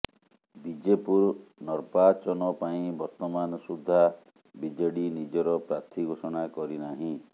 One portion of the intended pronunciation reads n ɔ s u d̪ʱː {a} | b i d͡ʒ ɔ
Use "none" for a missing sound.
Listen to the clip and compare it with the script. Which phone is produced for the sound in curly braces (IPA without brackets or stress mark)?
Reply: a